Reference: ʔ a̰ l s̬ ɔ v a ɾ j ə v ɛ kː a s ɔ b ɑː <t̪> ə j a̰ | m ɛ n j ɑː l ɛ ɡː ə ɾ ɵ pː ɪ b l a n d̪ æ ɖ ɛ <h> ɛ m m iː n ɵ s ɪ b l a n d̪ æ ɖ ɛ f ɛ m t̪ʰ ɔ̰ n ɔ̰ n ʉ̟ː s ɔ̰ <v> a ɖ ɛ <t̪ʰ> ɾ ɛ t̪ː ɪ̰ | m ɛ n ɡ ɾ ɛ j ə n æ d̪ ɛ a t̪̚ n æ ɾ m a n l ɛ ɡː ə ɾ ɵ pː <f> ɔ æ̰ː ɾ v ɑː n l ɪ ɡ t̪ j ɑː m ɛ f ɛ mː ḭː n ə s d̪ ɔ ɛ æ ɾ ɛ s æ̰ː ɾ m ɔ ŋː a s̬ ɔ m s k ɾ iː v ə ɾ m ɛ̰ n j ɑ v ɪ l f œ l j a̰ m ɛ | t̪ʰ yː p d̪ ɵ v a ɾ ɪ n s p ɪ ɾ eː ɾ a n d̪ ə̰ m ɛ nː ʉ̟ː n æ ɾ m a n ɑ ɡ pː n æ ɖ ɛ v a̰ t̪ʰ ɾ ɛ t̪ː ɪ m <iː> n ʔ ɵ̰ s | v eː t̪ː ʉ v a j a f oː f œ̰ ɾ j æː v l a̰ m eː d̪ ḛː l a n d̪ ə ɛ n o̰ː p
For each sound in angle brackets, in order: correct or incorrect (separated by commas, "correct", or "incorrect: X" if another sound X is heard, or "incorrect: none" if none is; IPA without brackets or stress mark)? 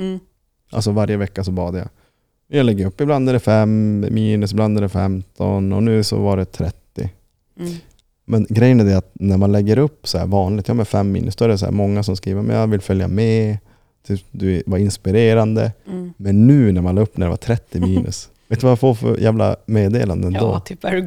incorrect: d̪, incorrect: f, correct, correct, incorrect: s, correct